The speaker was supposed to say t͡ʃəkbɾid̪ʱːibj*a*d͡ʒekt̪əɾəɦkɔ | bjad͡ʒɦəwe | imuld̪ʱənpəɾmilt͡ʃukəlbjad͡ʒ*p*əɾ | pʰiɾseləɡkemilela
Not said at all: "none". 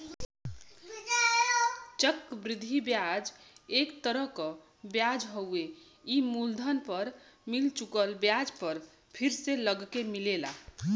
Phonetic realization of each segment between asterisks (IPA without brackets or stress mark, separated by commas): a, p